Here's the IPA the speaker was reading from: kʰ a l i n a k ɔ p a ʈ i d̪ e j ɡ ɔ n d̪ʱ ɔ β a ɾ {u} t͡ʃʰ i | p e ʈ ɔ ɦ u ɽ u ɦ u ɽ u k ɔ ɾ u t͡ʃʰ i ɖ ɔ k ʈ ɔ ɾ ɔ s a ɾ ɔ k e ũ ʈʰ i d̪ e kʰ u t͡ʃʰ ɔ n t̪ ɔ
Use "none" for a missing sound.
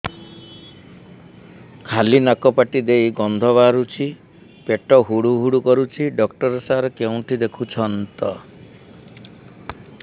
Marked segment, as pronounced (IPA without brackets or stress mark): u